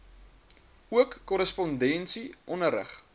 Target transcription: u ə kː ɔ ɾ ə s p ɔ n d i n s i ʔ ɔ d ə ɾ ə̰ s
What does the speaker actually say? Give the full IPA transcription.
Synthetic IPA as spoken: u ə kː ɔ ɾ ə s p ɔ n d ɛ n s i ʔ ɔ n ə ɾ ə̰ χ